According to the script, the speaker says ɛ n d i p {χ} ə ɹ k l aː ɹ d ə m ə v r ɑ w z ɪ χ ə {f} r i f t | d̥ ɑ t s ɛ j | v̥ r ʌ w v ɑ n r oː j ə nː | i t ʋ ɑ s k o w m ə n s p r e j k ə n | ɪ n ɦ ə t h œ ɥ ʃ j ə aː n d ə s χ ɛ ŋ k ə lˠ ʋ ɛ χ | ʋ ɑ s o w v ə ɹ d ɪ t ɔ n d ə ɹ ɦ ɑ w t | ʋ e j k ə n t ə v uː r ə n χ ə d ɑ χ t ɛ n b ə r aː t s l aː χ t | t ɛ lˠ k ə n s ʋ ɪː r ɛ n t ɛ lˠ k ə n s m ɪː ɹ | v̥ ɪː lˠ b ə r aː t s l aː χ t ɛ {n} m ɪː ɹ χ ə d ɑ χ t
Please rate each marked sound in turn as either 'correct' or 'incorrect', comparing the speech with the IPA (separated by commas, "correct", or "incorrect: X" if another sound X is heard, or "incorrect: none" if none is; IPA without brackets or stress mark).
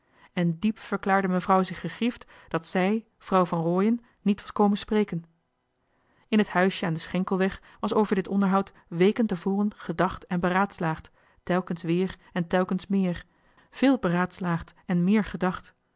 incorrect: f, incorrect: χ, correct